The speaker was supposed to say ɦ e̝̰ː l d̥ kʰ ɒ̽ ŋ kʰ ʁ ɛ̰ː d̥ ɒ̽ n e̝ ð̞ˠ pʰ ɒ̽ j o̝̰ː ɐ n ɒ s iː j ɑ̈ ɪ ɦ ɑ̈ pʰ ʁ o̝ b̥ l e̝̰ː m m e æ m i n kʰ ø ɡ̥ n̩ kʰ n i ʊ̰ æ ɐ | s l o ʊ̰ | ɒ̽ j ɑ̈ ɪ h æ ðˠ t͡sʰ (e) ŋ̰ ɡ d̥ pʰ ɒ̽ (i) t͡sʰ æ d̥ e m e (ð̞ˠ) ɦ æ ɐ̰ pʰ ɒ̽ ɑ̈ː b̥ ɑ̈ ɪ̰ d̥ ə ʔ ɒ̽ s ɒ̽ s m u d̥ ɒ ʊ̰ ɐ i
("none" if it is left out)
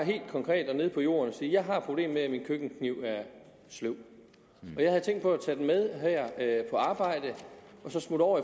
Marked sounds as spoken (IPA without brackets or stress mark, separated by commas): e, æ, ð̞ˠ